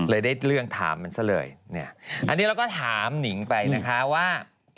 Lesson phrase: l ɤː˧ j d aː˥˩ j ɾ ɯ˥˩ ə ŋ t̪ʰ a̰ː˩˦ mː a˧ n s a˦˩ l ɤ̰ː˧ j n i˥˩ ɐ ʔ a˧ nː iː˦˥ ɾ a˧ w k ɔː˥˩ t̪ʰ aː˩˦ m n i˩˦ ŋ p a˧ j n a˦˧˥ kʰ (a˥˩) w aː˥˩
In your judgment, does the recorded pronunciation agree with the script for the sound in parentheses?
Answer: no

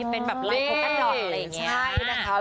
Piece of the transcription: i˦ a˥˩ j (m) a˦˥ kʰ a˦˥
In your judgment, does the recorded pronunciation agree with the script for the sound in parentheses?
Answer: no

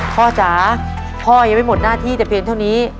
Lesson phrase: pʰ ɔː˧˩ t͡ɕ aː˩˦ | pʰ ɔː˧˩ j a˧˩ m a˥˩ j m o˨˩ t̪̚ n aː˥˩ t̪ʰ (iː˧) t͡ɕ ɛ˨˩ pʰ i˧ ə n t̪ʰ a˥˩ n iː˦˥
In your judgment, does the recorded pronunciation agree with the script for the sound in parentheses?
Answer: no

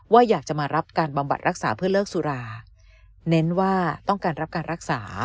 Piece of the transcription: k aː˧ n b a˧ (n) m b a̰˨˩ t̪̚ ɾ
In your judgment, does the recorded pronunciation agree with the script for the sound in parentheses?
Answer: no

